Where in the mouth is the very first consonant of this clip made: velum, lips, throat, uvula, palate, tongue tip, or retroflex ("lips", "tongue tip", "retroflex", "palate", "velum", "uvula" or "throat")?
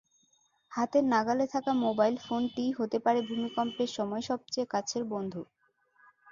throat